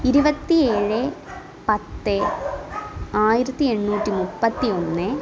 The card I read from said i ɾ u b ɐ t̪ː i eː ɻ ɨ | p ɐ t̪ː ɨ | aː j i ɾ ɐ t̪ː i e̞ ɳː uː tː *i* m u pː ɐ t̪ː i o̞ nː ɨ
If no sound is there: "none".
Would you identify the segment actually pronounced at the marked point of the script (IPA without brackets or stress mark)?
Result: i